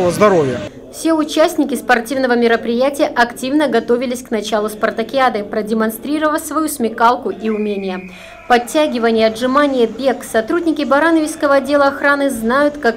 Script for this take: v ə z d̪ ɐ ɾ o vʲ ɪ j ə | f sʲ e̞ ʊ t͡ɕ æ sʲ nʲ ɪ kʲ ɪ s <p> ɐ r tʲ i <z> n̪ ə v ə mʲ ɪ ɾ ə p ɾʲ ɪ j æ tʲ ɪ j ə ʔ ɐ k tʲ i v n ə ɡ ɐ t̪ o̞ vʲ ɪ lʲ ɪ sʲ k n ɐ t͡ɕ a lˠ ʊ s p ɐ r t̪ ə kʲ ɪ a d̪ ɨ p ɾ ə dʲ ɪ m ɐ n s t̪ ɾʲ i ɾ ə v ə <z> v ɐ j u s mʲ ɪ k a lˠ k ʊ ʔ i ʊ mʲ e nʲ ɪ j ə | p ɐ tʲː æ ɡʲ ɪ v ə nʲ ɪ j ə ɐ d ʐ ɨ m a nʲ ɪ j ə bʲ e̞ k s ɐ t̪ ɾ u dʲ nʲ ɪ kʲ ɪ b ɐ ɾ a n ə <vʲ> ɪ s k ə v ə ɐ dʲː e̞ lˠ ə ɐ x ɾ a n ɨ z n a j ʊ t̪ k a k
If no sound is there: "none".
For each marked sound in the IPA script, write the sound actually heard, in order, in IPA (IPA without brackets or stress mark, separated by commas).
p, v, s, vʲ